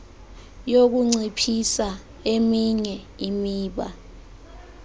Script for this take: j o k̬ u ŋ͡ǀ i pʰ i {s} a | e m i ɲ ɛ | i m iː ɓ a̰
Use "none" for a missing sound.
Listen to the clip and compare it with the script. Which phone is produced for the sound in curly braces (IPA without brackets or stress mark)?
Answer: s